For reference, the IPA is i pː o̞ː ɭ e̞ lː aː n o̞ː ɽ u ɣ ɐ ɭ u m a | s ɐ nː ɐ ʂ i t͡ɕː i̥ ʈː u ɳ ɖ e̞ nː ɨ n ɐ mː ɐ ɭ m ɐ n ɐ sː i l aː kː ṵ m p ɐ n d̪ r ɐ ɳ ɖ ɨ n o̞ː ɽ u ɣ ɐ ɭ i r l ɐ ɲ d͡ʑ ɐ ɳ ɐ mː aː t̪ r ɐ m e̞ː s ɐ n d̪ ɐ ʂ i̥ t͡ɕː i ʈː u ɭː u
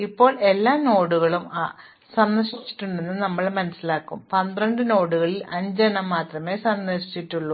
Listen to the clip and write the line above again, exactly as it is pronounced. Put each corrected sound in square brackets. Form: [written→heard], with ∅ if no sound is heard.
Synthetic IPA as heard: i pː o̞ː ɭ e̞ lː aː n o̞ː ɽ u ɣ ɐ ɭ u m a | s ɐ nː ɐ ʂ i t͡ɕː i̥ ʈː u ɳ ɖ e̞ nː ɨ n ɐ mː ɐ ɭ m ɐ n ɐ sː i l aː kː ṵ m p ɐ n d̪ r ɐ ɳ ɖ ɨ n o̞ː ɽ u ɣ ɐ ɭ i [r→∅] l ɐ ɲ d͡ʑ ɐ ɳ ɐ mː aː t̪ r ɐ m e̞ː s ɐ n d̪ ɐ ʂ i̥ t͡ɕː i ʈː u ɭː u